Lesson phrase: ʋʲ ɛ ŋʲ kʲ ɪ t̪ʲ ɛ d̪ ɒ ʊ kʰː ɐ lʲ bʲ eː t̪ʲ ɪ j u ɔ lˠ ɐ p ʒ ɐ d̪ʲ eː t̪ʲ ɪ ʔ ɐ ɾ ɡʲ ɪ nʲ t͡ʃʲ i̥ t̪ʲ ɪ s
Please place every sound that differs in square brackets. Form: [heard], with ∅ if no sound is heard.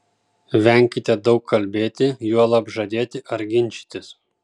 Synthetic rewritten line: ʋʲ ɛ ŋʲ kʲ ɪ t̪ʲ ɛ d̪ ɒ ʊ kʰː ɐ lʲ bʲ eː t̪ʲ ɪ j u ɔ lˠ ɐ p ʒ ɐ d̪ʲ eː t̪ʲ ɪ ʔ ɐ ɾ ɡʲ ɪ nʲ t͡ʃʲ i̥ t̪ʲ ɪ s